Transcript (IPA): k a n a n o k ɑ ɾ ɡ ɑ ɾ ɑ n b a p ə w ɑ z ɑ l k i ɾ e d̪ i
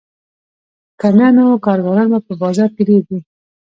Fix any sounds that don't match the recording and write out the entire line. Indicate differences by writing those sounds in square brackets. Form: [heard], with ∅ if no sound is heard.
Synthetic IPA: k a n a n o k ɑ ɾ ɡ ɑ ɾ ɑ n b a p ə [b] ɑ z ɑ [ɾ] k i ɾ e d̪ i